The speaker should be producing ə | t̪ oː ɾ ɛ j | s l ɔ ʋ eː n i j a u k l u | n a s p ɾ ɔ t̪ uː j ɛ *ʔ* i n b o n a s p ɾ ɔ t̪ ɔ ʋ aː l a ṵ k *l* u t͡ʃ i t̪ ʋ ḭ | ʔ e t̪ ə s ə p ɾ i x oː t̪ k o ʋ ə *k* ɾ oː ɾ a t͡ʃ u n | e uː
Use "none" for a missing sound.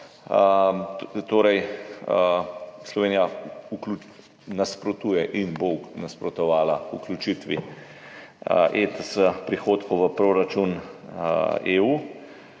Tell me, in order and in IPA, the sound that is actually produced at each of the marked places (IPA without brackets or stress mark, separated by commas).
ʔ, l, p